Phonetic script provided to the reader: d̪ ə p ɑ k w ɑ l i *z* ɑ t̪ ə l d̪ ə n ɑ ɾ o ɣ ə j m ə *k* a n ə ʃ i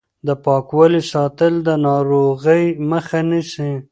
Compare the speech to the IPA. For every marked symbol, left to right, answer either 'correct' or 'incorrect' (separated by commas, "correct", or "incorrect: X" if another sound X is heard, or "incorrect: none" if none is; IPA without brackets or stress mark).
incorrect: s, incorrect: x